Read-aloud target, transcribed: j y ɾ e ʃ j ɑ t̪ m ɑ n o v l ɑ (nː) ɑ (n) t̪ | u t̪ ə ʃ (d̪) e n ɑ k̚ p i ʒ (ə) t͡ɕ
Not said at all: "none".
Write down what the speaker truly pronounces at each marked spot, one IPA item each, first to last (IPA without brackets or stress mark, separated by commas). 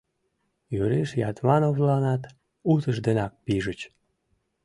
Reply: n, none, d̪, ə